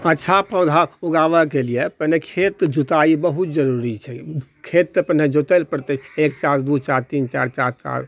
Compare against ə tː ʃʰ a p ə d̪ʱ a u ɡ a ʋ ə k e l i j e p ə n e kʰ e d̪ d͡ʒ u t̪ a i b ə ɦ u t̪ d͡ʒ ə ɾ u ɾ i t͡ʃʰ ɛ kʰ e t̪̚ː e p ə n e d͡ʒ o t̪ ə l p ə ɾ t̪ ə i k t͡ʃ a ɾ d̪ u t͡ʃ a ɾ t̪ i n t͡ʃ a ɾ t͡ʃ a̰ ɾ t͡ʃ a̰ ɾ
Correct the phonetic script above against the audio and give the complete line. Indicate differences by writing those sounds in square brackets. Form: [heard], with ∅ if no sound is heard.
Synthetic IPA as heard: ə tː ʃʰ a p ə d̪ʱ a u ɡ a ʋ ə k e l i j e p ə n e kʰ e [t̪] d͡ʒ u t̪ a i b ə ɦ u t̪ d͡ʒ ə ɾ u ɾ i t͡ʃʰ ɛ kʰ e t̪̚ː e p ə n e d͡ʒ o t̪ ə l p ə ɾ t̪ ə [e] k t͡ʃ a ɾ d̪ u t͡ʃ a ɾ t̪ i n t͡ʃ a ɾ t͡ʃ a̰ ɾ t͡ʃ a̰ ɾ